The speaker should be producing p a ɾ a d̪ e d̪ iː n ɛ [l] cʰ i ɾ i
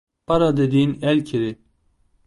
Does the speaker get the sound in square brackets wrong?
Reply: no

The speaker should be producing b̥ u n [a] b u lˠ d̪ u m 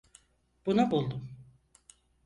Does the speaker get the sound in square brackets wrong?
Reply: no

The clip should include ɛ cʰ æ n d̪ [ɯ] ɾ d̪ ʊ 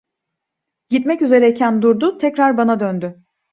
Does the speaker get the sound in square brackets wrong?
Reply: yes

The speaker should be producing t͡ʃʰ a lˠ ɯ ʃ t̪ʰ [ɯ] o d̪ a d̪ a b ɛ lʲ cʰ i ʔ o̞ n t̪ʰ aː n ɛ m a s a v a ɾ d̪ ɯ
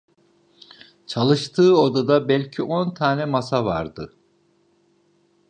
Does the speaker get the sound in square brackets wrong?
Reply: yes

